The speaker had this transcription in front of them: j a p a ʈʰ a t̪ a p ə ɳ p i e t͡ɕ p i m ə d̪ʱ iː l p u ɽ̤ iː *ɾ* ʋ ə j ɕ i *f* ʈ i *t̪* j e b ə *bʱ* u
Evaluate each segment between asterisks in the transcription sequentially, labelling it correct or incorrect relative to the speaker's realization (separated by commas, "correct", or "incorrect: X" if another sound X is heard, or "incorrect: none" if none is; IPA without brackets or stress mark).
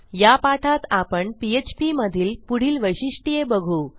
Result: incorrect: l, incorrect: ʂ, incorrect: none, incorrect: ɡʱ